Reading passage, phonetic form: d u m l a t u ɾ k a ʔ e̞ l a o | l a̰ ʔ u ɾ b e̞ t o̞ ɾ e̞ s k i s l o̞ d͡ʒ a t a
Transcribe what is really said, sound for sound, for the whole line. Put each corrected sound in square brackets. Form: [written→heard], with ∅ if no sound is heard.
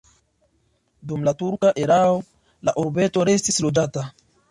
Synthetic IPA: d u m l a t u ɾ k a ʔ e̞ [l→ɾ] a o | l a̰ ʔ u ɾ b e̞ t o̞ ɾ e̞ s [k→t] i s l o̞ d͡ʒ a t a

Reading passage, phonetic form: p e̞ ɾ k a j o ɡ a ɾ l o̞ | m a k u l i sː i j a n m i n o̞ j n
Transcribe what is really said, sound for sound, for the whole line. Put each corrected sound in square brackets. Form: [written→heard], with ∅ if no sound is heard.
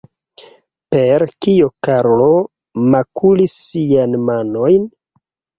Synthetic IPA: p e̞ ɾ k [a→i] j o [ɡ→k] a ɾ l o̞ | m a k u l i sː i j a n m [i→a] n o̞ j n

